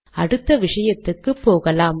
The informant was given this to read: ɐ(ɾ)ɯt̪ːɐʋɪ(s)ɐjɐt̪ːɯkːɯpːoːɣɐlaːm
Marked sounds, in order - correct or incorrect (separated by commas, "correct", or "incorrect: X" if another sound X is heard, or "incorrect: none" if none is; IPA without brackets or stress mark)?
incorrect: ɽ, incorrect: ʂ